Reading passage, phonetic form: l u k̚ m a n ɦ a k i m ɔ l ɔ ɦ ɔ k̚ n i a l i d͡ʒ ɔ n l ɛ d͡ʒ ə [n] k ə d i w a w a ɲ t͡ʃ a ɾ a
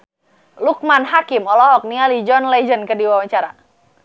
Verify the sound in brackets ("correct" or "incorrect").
correct